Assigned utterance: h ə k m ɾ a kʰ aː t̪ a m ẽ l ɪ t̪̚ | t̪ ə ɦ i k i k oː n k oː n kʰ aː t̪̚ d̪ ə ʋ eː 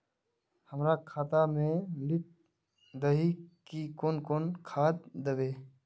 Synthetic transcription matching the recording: h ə m ɾ a kʰ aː t̪ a m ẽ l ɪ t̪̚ | d̪ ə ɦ i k i k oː n k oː n kʰ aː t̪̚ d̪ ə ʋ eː